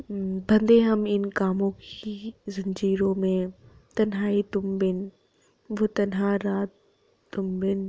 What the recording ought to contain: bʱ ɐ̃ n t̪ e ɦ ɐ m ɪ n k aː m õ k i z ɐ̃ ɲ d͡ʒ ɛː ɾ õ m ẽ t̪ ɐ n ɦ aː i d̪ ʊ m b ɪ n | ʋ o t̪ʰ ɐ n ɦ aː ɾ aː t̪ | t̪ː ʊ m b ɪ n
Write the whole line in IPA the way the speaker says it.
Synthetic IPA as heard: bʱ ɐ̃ n d̪ e ɦ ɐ m ɪ n k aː m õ k i z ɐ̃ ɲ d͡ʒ iː ɾ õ m ẽ t̪ ɐ n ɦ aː i t̪ ʊ m b ɪ n | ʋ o t̪ ɐ n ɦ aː ɾ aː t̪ | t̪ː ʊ m b ɪ n